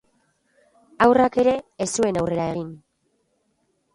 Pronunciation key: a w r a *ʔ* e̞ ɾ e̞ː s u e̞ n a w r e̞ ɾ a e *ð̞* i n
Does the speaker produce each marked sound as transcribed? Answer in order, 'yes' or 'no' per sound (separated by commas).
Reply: no, no